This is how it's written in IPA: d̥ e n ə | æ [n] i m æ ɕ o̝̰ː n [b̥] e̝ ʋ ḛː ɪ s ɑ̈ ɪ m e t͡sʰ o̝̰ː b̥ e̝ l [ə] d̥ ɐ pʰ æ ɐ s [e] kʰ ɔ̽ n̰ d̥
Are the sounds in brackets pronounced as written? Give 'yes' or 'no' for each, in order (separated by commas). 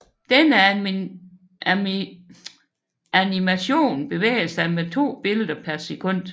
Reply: yes, yes, yes, yes